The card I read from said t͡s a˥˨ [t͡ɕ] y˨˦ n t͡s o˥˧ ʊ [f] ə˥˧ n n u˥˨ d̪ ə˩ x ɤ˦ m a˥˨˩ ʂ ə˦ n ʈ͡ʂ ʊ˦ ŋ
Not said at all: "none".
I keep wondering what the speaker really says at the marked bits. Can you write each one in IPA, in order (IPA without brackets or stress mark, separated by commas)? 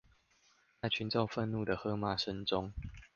t͡ɕʰ, f